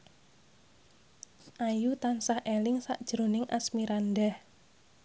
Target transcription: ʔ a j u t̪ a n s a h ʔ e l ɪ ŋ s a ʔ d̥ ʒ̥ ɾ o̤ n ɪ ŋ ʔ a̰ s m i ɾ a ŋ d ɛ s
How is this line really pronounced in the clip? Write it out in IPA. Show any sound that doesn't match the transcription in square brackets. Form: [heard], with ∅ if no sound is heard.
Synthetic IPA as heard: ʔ a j u t̪ a n s a h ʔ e l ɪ ŋ s a ʔ d̥ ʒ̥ ɾ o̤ n ɪ ŋ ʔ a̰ s m i ɾ a [n] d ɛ [h]